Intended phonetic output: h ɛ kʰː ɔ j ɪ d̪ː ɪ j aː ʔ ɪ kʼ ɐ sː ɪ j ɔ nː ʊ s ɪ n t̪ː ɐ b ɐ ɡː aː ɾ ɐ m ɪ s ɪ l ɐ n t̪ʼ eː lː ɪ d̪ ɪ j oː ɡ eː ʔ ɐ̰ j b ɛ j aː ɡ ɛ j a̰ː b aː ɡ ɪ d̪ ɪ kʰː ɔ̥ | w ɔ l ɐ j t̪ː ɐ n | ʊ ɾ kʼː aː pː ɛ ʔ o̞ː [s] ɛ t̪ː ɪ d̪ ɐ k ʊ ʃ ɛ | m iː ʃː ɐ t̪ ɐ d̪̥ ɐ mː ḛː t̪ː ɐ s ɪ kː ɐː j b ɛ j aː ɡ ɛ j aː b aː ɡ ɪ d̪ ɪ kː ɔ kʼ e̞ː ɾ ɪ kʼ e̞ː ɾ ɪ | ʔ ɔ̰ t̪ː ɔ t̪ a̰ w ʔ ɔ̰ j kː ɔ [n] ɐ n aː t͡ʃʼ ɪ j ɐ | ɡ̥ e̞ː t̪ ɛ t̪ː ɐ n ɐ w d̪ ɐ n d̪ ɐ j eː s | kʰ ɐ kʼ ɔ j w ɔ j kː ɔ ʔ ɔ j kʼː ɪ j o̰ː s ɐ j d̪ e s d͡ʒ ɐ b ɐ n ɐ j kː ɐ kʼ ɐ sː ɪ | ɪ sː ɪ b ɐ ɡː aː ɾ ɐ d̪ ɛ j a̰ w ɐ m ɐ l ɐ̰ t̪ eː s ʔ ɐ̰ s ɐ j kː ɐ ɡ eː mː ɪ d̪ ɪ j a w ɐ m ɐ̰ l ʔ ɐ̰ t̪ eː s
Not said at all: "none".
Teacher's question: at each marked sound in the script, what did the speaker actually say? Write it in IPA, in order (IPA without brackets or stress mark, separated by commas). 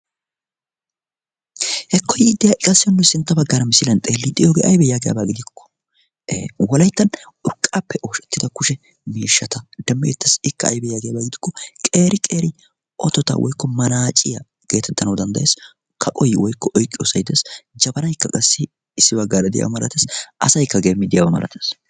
ʃ, m